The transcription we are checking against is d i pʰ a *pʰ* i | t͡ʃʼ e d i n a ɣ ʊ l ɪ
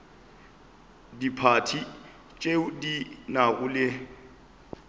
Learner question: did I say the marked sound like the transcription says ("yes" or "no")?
no